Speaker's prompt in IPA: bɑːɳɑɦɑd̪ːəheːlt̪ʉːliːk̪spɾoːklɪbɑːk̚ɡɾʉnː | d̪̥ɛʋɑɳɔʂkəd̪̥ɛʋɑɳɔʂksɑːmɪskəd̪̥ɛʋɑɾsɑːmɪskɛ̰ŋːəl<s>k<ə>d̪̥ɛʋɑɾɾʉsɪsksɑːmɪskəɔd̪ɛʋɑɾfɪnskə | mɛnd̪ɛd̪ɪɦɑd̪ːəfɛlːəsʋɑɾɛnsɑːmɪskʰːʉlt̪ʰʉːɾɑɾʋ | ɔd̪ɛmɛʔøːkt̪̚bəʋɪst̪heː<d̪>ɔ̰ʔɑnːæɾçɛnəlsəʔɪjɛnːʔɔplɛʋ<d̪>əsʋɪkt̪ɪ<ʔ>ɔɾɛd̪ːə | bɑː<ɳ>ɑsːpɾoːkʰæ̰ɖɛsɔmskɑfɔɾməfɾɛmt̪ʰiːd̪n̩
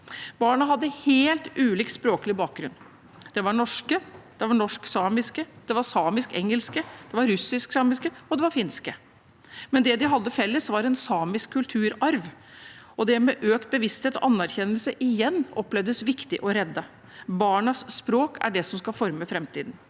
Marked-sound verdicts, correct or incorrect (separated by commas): correct, correct, incorrect, correct, correct, correct